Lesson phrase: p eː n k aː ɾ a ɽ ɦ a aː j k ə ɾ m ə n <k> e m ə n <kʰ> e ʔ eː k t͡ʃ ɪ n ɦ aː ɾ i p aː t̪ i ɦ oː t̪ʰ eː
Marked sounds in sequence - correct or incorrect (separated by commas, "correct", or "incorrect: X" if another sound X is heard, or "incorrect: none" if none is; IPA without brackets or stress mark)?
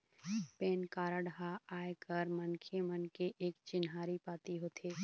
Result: incorrect: kʰ, incorrect: k